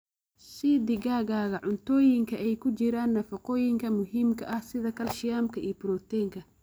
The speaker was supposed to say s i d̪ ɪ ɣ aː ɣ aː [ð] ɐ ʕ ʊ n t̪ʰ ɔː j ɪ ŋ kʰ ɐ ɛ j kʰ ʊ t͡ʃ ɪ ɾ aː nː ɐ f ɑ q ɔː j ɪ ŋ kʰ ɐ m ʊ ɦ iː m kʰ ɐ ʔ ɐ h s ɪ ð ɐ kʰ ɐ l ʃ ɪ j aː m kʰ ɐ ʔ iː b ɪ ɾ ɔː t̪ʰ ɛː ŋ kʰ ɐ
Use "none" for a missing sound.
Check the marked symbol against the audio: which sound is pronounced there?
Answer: ɣ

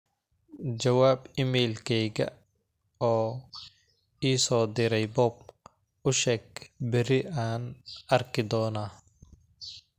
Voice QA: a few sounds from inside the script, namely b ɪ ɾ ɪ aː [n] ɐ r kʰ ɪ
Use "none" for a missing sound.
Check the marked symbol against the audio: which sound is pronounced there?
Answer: n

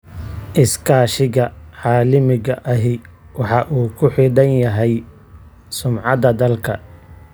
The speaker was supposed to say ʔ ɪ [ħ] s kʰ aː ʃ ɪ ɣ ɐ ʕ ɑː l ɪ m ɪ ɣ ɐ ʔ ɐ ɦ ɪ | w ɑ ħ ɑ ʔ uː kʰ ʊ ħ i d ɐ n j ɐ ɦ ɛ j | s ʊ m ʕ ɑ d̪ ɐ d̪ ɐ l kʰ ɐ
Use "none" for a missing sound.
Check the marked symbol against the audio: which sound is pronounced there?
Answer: none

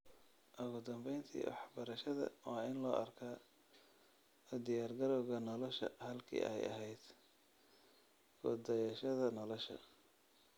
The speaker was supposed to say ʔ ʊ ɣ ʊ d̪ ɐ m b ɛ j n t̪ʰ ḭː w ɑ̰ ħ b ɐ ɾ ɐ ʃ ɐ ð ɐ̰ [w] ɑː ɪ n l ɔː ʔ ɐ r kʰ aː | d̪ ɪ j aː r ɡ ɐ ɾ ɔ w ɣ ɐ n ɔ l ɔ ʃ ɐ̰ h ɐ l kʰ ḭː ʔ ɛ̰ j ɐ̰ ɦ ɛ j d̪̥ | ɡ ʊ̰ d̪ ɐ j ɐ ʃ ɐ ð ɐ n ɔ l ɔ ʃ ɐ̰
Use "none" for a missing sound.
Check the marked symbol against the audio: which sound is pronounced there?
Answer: w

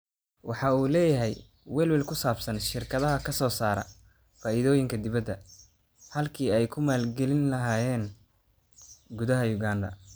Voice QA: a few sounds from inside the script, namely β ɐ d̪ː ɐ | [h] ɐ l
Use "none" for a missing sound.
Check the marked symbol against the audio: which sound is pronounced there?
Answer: h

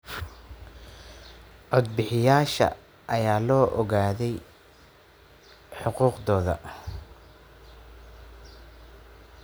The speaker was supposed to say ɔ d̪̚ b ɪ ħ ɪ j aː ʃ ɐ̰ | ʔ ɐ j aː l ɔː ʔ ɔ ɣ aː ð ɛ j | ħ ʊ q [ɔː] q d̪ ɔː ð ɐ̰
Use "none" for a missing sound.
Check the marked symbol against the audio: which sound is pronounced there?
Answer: uː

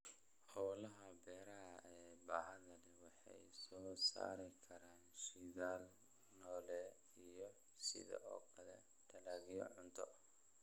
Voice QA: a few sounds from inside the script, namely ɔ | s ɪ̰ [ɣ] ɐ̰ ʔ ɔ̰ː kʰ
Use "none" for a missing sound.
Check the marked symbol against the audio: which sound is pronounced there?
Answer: ð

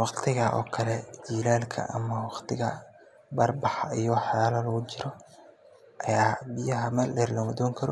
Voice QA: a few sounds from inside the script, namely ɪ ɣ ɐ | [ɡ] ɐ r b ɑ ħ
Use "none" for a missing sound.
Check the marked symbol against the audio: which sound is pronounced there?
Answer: b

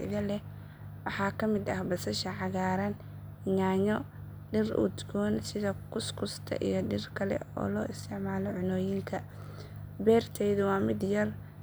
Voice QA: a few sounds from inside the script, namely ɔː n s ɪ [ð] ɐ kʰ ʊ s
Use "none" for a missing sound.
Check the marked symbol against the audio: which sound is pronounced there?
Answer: ð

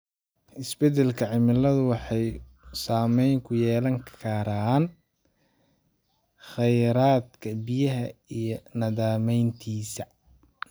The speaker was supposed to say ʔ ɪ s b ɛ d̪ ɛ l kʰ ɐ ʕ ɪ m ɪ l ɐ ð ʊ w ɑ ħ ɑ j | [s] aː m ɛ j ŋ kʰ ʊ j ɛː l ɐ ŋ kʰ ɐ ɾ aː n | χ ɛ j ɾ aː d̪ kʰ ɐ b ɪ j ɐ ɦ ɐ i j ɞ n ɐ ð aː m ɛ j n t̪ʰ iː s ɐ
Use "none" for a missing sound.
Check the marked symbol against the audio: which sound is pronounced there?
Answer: s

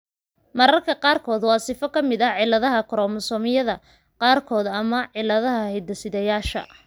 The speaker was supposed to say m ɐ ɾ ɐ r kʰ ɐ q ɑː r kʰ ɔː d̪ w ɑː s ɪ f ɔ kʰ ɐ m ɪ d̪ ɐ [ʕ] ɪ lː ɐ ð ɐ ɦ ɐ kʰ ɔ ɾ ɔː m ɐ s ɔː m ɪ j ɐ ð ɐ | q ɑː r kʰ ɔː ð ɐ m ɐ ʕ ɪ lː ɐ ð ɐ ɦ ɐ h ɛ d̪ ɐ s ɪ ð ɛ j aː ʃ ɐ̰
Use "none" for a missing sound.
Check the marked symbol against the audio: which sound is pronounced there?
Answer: ʕ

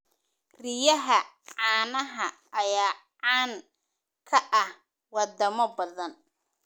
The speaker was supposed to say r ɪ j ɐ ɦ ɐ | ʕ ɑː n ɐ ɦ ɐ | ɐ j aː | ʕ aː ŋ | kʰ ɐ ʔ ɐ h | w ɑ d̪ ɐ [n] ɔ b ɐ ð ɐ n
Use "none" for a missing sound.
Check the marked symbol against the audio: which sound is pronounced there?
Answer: m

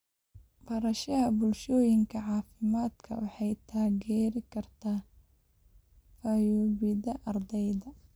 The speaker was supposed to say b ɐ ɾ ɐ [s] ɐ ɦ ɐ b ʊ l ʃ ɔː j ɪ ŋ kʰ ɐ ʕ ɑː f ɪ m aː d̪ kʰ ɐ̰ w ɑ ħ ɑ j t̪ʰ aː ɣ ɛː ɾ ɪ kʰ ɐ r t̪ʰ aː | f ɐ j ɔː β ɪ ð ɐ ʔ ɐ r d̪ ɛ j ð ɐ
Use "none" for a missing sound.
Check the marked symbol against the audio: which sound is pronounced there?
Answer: ʃ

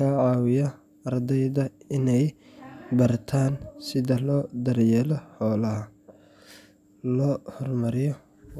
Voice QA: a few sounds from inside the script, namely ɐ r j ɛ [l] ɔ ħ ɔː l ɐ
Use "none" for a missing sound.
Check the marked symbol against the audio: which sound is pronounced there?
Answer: l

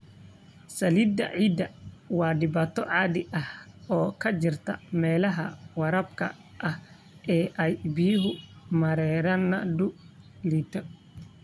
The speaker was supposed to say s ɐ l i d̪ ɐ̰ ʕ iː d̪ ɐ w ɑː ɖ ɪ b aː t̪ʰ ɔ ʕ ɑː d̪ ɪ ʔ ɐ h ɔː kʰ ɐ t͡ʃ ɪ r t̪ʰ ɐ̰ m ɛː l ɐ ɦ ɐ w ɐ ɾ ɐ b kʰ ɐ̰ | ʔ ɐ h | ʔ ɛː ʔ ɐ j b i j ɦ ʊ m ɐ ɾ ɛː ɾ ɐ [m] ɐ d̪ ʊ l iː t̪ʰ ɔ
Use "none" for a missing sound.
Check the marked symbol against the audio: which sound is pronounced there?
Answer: n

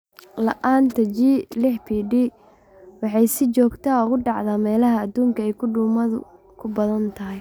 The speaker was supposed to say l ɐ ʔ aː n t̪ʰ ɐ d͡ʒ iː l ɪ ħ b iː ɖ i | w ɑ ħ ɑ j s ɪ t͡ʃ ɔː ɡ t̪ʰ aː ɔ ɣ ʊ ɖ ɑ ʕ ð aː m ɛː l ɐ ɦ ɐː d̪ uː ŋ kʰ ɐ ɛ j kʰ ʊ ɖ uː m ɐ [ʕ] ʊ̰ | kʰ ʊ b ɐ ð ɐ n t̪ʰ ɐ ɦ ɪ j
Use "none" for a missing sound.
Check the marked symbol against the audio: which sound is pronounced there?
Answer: ð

